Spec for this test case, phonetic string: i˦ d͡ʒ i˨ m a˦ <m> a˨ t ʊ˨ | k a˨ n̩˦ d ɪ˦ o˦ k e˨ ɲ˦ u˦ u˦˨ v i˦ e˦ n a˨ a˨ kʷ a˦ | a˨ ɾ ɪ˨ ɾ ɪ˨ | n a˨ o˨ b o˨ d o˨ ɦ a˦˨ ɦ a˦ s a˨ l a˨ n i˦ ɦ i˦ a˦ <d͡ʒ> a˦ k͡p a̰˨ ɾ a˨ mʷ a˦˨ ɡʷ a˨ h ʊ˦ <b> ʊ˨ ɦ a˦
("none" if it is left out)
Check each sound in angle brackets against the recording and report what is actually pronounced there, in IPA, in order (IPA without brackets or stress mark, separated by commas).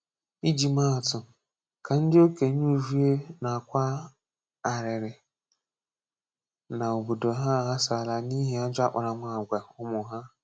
none, d͡ʒ, m